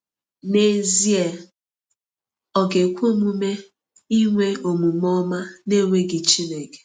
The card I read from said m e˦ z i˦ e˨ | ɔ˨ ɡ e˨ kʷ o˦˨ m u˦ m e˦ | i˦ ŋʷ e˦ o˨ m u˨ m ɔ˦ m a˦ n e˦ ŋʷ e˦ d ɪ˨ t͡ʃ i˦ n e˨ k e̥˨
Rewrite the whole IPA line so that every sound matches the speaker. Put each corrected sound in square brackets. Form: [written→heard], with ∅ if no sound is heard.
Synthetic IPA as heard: [m→n] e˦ z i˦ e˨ | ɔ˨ ɡ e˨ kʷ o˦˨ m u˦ m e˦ | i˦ ŋʷ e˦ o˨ m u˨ m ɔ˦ m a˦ n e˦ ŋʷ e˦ [d→ɡ] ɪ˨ t͡ʃ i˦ n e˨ k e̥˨